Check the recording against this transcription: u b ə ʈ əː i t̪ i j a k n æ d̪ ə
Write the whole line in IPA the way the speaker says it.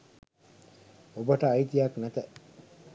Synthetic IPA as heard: o b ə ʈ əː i t̪ i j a k n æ t̪ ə